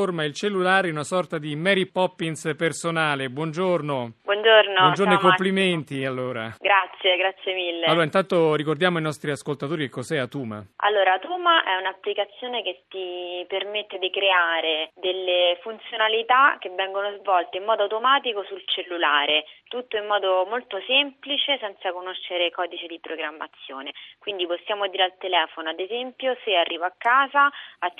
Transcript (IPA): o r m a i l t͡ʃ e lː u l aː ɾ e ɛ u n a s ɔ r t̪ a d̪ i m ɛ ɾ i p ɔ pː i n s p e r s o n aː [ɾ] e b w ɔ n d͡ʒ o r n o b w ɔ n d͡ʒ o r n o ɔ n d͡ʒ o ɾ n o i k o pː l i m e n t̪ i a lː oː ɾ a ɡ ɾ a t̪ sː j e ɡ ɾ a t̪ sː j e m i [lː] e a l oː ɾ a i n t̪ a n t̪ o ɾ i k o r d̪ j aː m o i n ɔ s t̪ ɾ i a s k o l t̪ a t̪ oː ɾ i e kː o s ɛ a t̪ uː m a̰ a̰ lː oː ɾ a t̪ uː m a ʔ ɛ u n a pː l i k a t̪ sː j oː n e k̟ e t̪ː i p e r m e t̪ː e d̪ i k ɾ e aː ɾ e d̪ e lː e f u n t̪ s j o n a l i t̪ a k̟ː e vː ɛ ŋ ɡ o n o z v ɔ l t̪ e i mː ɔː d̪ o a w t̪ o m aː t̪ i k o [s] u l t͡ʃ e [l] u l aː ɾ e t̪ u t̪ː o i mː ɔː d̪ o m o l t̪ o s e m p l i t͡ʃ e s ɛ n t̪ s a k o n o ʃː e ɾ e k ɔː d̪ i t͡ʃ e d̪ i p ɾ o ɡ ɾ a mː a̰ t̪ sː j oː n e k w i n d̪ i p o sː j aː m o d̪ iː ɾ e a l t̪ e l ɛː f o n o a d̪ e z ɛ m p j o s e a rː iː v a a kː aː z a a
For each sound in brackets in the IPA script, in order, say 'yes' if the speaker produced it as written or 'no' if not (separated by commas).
no, yes, yes, no